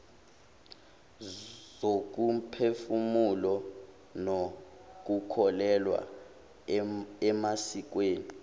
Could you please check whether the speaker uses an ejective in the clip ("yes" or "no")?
no